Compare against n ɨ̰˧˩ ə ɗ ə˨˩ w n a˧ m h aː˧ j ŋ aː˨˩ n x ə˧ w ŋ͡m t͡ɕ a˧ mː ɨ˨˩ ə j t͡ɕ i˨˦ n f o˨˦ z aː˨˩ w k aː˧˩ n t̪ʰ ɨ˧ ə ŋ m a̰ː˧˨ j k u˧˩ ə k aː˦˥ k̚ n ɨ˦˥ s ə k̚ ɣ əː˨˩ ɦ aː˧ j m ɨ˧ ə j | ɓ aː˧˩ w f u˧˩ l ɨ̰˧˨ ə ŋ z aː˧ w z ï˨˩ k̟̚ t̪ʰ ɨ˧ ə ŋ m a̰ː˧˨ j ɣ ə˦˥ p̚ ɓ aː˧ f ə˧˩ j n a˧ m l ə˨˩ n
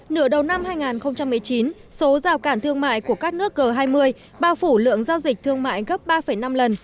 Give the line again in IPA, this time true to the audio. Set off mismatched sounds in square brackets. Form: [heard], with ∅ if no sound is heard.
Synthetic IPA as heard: n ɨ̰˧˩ ə ɗ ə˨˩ w n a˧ m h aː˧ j ŋ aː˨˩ n x ə˧ w ŋ͡m t͡ɕ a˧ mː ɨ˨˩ ə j t͡ɕ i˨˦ n [s] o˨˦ z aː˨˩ w k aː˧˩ n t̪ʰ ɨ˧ ə ŋ m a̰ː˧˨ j k u˧˩ ə k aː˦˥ k̚ n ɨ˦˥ [∅] ə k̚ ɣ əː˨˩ ɦ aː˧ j m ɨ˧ ə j | ɓ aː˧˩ w f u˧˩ l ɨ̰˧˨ ə ŋ z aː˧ w z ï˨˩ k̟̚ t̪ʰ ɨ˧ ə ŋ m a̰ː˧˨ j ɣ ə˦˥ p̚ ɓ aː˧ f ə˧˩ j n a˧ m l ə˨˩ n

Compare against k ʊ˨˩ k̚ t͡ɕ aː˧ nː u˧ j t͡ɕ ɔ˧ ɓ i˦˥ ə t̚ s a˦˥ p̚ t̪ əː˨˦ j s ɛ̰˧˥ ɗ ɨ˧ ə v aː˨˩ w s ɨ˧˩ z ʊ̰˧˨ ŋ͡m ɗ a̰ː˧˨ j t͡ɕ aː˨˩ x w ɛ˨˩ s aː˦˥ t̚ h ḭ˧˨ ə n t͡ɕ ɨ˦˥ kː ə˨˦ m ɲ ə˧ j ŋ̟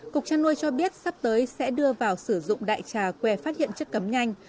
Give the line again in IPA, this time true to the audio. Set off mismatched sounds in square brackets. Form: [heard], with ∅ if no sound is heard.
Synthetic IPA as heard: k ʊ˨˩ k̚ t͡ɕ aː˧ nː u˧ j t͡ɕ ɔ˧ ɓ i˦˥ ə t̚ s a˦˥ p̚ t̪ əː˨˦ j s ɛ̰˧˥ ɗ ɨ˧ ə v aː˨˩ w s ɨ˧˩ z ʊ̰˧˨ ŋ͡m ɗ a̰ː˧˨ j t͡ɕ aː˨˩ [k] w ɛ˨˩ [f] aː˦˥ t̚ h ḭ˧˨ ə n t͡ɕ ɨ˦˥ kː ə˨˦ m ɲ [a˧] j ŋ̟

